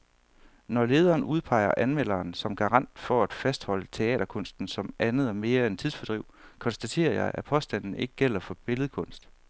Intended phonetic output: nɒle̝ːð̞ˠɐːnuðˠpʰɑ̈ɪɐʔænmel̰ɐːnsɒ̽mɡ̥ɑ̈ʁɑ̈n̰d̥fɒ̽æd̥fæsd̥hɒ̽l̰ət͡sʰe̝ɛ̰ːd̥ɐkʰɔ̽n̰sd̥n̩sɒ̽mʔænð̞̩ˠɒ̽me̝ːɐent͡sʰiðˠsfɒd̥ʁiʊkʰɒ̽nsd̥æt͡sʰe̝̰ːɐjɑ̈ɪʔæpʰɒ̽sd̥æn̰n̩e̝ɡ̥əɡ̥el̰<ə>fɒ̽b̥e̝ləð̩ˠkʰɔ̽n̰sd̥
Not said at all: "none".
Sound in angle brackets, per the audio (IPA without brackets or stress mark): ɐ